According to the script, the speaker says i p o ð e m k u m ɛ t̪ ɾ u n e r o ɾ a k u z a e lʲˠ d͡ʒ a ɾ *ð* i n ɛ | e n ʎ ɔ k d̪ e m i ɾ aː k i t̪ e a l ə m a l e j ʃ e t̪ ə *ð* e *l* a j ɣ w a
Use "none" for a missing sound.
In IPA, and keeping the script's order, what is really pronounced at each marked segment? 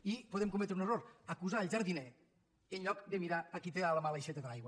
ð, ð, l

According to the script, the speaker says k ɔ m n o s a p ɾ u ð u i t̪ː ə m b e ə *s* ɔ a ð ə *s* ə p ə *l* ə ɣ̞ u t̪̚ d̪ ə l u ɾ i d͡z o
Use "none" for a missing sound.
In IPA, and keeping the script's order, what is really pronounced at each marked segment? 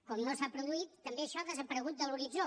ʃ, z, ɾ

